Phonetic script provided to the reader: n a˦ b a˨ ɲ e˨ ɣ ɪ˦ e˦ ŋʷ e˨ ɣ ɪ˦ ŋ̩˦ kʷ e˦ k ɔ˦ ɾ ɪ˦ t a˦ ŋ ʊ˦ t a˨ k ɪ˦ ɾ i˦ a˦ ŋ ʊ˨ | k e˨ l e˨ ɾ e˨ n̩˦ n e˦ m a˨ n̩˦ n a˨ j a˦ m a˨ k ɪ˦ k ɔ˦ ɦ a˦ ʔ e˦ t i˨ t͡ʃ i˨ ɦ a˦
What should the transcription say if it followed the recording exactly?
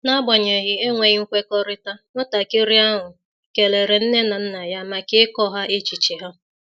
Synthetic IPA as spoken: n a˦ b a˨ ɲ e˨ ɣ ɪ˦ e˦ ŋʷ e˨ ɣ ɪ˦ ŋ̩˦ kʷ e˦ k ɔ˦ ɾ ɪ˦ t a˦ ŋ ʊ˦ t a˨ k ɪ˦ ɾ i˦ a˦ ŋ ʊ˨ | k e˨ l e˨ ɾ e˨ n̩˦ n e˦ n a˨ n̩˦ n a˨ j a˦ m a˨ k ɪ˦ k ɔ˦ ɦ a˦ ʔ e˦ t͡ʃ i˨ t͡ʃ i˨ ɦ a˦

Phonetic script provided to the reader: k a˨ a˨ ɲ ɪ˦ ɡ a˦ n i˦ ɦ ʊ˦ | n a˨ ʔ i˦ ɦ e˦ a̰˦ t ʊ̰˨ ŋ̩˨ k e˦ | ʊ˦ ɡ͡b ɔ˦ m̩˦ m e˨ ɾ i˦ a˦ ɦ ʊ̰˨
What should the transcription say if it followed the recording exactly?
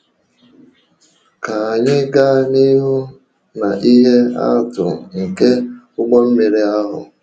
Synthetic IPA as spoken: k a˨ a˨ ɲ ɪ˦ ɡ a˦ n i˦ ɦ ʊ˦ | n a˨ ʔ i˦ ɦ e˦ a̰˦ t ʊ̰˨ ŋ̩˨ k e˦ | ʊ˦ ɡ͡b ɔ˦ m̩˦ m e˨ ɾ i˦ a˦ ɦ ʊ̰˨

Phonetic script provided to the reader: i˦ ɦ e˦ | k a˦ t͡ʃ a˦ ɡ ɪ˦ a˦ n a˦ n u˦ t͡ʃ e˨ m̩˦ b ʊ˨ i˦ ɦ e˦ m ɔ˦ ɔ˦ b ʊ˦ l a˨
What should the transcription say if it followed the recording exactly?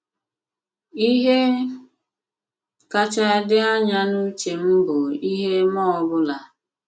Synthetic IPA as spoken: i˦ ɦ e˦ | k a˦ t͡ʃ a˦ d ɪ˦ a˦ ɲ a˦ n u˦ t͡ʃ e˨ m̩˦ b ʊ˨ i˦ ɦ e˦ m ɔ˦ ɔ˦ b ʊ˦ l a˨

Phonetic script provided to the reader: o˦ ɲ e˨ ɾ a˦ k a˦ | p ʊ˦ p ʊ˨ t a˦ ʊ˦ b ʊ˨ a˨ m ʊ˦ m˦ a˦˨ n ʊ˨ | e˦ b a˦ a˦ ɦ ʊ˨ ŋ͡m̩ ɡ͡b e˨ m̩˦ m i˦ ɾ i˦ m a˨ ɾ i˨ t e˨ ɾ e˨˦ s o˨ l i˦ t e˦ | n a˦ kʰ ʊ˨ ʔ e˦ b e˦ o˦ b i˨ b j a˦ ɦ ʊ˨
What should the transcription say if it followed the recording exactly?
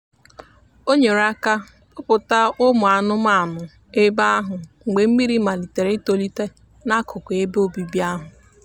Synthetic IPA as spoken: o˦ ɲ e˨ ɾ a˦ k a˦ | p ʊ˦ p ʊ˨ t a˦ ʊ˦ m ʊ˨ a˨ n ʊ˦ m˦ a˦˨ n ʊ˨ | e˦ b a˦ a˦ ɦ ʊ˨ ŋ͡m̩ ɡ͡b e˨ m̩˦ m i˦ ɾ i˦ m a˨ l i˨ t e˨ ɾ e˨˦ t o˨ l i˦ t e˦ | n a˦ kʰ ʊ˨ k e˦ b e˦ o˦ b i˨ b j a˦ ɦ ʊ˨

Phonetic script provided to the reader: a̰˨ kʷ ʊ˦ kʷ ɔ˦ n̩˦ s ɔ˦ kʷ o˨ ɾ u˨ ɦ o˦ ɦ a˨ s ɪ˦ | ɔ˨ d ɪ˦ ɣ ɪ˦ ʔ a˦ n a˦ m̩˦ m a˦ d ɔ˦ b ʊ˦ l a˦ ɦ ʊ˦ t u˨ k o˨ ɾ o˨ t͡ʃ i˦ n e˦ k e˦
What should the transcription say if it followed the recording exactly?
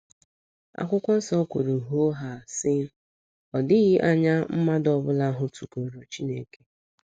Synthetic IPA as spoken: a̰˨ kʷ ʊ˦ kʷ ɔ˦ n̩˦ s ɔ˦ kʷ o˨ ɾ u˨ ɦ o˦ ɦ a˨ s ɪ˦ | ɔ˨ d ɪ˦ ɣ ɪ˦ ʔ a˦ ɲ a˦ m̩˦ m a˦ d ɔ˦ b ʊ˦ l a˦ ɦ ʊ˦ t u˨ k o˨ ɾ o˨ t͡ʃ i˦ n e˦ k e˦

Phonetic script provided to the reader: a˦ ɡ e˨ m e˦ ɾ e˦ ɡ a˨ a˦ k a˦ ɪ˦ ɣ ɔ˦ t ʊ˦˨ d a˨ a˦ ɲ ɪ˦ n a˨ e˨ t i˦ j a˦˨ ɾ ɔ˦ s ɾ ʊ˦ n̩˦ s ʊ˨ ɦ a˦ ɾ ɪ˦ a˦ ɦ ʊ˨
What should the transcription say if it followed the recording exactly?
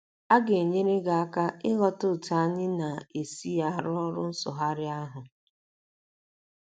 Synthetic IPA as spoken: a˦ ɡ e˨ ɲ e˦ ɾ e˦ ɡ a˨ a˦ k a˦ ɪ˦ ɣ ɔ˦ t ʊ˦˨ t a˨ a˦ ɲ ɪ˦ n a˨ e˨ s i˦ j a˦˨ ɾ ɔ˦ ɾ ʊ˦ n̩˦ s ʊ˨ ɦ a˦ ɾ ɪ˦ a˦ ɦ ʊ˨

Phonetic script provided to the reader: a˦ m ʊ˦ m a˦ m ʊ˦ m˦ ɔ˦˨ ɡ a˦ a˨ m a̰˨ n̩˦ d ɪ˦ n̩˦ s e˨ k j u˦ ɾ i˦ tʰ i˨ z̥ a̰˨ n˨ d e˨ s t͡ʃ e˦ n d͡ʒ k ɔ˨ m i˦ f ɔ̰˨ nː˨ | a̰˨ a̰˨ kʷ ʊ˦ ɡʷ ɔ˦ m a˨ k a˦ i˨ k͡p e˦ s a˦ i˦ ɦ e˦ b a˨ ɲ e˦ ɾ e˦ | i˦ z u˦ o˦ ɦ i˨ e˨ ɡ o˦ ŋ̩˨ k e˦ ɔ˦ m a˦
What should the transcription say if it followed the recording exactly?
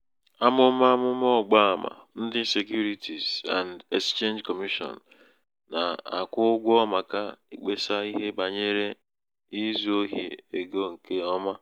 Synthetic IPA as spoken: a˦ m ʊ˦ m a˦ m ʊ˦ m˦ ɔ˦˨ ɡ͡b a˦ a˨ m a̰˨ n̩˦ d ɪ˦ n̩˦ s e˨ k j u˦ ɾ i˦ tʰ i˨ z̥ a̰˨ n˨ d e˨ s t͡ʃ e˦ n d͡ʒ k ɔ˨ m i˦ ʃ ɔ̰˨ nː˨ | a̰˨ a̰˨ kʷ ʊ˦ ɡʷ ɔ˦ m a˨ k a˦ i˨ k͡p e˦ s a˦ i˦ ɦ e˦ b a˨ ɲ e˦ ɾ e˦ | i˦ z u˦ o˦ ɦ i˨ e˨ ɡ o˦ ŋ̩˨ k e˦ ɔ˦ m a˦

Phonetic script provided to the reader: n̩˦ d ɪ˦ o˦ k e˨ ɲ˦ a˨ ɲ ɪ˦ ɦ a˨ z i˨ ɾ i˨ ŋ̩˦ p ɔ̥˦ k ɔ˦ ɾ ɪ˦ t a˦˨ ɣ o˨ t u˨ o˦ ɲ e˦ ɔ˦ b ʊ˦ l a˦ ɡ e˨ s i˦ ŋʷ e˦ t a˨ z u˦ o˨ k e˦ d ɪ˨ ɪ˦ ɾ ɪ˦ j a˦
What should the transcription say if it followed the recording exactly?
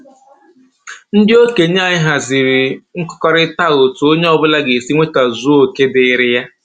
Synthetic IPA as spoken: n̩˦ d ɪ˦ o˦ k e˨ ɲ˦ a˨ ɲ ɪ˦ ɦ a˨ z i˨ ɾ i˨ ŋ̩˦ k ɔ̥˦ k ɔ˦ ɾ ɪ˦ t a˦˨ ɣ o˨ t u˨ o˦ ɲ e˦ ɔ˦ b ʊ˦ l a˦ ɡ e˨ s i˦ ŋʷ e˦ t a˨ z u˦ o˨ k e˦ d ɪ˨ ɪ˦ ɾ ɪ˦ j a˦

